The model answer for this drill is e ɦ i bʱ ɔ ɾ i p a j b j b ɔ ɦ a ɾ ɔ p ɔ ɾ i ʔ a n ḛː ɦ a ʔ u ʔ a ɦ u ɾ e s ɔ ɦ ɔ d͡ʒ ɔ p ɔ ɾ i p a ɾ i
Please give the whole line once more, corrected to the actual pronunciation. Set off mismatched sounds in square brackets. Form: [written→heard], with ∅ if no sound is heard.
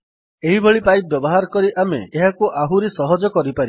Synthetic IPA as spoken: e ɦ i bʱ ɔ [ɾ→ɭ] i p a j b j b ɔ ɦ a ɾ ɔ [p→k] ɔ ɾ i ʔ a [n→m] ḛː ɦ a [ʔ→k] u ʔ a ɦ u ɾ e s ɔ ɦ ɔ d͡ʒ ɔ [p→k] ɔ ɾ i p a ɾ i